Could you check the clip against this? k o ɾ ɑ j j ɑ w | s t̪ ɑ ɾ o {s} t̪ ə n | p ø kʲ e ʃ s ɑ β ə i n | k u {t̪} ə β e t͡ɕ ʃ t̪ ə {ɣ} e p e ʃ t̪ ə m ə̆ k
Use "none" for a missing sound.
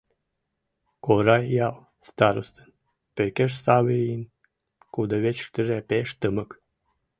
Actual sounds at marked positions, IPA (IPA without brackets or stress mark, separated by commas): s, d̪, ʒ